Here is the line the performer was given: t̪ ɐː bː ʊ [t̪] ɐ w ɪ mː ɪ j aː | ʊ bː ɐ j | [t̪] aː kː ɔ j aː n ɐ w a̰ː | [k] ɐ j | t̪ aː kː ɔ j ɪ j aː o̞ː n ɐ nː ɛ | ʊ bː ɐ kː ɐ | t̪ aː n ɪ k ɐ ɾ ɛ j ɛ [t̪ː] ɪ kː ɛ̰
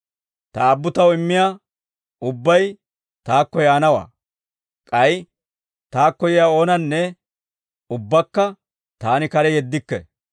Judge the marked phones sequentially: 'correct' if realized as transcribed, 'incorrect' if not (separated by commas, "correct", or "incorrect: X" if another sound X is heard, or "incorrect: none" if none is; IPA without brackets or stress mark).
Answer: correct, correct, incorrect: kʼ, incorrect: d̪ː